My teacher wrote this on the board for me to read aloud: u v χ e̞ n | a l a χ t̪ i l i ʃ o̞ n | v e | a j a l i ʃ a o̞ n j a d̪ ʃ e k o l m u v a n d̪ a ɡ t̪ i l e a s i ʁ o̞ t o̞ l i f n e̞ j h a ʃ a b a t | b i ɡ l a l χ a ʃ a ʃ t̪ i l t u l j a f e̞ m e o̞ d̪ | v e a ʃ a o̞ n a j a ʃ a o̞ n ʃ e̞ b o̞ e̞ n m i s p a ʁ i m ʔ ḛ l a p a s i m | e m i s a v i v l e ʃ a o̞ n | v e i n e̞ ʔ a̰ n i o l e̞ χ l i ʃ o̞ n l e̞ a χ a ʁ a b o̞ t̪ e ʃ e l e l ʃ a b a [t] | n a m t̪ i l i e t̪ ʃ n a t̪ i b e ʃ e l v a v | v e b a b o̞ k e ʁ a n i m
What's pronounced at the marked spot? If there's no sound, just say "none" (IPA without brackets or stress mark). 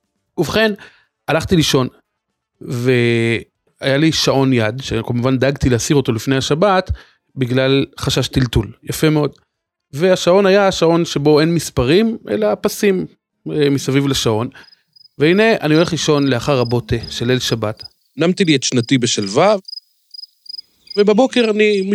t